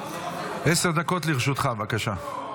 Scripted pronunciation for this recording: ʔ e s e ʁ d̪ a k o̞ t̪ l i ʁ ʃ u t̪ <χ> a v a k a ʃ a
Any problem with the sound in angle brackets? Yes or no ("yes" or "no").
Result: no